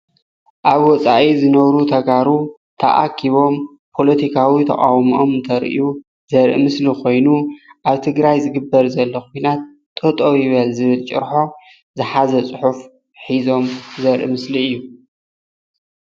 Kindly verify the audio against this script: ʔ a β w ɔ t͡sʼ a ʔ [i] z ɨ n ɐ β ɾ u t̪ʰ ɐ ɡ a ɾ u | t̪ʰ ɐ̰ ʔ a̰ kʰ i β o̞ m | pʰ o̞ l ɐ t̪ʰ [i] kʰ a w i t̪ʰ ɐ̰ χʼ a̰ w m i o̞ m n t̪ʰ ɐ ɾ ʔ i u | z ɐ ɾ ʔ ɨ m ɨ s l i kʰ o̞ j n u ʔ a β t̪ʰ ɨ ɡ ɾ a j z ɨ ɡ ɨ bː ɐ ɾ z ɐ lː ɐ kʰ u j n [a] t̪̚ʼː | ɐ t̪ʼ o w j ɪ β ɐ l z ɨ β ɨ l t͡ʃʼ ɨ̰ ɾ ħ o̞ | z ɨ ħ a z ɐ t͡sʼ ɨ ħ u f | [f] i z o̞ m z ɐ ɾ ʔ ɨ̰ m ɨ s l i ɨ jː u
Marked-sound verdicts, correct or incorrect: correct, correct, correct, incorrect

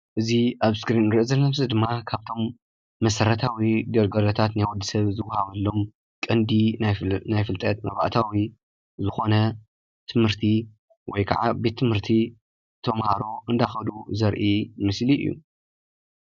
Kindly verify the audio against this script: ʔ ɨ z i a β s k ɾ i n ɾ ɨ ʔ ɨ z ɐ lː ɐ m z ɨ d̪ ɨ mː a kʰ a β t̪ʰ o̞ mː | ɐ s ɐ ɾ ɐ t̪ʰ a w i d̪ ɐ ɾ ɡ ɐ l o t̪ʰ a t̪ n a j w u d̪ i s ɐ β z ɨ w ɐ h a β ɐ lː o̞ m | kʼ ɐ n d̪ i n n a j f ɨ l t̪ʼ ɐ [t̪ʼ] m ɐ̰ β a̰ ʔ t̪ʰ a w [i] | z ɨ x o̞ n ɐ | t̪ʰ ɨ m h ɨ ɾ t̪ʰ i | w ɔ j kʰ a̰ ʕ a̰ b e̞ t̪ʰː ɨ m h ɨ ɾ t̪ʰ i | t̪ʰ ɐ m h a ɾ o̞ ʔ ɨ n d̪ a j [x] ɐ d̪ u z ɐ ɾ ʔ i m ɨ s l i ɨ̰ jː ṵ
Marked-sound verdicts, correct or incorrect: incorrect, correct, correct

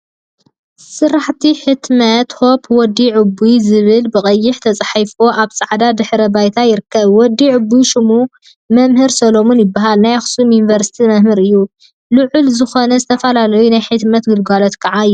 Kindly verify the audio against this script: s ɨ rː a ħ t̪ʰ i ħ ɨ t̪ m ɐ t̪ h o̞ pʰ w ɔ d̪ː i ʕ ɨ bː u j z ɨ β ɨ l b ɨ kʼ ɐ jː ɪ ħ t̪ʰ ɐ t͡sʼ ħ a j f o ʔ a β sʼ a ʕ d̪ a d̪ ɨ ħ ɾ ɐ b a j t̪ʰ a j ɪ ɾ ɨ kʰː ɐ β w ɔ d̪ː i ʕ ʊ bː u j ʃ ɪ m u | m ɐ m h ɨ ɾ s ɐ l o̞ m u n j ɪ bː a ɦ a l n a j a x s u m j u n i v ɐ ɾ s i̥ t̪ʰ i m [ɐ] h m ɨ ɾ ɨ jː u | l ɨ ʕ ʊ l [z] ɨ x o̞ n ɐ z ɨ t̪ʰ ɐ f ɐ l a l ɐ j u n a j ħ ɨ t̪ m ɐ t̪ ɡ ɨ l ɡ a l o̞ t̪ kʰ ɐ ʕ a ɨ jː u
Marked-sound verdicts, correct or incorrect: correct, correct

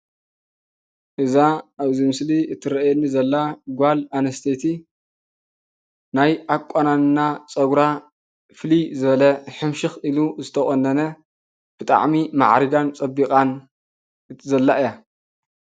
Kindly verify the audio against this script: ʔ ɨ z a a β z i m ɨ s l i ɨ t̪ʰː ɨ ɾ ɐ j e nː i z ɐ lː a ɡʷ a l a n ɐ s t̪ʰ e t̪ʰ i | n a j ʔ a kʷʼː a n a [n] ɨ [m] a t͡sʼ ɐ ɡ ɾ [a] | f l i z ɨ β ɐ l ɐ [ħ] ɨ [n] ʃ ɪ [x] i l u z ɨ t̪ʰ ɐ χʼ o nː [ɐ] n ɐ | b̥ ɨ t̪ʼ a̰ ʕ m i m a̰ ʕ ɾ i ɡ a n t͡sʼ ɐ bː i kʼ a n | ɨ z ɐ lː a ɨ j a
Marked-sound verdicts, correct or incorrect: correct, incorrect, correct, correct, incorrect, correct, correct

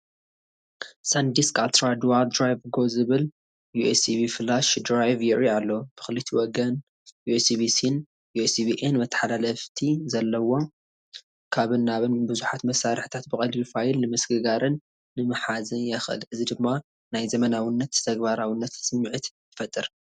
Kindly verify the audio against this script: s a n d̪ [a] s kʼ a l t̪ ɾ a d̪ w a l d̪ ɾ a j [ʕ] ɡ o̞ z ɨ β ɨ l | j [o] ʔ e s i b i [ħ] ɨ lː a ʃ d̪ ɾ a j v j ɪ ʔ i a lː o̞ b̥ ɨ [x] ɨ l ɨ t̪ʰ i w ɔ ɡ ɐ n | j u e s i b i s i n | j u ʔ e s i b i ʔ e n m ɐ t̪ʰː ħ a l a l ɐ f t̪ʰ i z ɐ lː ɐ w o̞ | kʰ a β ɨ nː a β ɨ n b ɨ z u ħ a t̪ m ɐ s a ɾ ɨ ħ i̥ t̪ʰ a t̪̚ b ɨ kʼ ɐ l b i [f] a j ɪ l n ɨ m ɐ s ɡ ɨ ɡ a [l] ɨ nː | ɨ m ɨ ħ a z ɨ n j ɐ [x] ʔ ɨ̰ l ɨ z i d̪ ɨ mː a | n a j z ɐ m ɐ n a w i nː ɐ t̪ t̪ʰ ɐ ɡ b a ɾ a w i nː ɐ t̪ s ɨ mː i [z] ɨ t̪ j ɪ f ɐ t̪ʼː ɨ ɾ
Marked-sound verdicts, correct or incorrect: incorrect, incorrect, incorrect, incorrect, correct, correct, incorrect, correct, incorrect

